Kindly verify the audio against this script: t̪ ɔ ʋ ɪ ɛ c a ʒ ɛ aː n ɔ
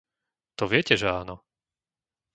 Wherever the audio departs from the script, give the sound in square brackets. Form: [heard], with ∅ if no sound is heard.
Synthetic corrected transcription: t̪ ɔ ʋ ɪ ɛ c [ɛ] ʒ ɛ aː n ɔ